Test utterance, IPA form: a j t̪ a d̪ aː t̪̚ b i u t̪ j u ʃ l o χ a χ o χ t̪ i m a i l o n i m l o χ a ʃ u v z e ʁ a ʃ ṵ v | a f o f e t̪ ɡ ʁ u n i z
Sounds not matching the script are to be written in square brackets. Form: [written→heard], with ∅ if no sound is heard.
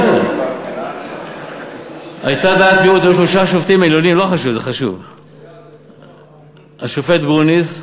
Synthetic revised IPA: a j t̪ a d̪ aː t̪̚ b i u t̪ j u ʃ l o [χ→ʃ] a [χ→ʃ] o [χ→f] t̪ i m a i l o n i m l o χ a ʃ u v z e [ʁ→χ] a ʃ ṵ v | a [f→ʃ] o f e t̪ ɡ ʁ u n i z